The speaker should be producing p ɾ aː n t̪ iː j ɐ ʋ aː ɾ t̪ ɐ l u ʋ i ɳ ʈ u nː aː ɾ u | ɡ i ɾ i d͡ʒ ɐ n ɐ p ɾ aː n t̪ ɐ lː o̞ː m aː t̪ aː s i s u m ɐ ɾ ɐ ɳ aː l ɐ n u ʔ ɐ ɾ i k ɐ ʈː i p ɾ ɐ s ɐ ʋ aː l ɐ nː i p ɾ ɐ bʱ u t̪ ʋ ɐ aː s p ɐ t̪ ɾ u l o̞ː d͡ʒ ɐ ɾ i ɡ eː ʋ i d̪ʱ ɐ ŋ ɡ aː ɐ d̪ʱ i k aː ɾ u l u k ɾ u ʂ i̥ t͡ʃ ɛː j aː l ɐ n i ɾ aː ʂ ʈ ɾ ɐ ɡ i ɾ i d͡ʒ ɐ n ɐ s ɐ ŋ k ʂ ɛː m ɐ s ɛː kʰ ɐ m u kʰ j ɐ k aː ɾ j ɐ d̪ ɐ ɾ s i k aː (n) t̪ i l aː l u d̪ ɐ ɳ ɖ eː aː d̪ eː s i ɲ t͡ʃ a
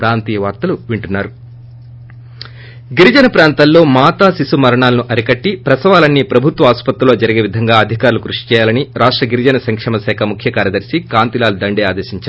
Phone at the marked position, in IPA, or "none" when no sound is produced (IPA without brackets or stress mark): n